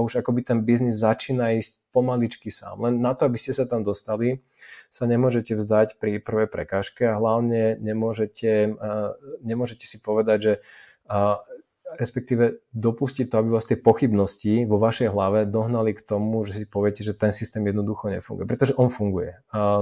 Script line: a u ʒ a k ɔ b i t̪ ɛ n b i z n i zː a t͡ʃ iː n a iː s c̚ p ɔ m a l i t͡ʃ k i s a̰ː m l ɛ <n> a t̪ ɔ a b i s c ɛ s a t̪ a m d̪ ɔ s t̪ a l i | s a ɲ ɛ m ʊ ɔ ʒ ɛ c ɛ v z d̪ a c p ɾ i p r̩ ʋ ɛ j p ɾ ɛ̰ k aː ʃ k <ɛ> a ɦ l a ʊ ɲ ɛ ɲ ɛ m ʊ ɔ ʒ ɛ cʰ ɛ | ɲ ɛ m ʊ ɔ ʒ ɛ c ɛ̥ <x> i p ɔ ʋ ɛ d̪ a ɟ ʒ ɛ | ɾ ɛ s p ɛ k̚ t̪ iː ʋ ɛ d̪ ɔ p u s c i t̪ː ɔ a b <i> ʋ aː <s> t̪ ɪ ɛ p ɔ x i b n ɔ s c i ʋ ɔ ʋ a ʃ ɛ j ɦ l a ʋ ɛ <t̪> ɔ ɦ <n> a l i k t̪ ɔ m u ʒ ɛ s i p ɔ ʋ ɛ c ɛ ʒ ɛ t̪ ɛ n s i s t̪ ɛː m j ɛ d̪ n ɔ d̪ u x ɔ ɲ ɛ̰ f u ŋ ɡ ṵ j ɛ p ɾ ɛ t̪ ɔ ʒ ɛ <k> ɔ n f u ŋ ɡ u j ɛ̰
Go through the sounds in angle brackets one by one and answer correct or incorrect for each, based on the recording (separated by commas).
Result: incorrect, correct, incorrect, correct, correct, incorrect, correct, incorrect